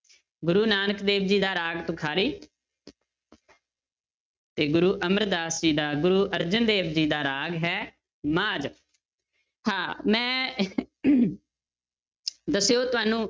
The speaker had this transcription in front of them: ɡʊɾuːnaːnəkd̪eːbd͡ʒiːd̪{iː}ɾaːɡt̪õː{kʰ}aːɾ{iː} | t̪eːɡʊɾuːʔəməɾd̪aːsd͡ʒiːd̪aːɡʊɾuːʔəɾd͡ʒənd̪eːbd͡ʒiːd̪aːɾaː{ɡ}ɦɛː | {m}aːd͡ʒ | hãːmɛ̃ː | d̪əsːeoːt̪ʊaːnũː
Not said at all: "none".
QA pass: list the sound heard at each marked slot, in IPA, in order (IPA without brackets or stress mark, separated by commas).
aː, kʰ, iː, ɡ, m